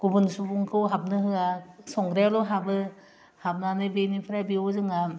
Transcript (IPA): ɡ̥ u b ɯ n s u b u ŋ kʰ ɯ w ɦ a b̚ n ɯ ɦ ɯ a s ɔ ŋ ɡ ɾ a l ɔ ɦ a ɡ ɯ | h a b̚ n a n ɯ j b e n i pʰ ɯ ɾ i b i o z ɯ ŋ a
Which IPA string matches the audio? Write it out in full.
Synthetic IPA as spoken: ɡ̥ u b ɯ n s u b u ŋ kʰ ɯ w ɦ a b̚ n ɯ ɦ ɯ a s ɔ ŋ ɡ ɾ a l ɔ ɦ a b ɯ | h a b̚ n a n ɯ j b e n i pʰ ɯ ɾ a b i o z ɯ ŋ a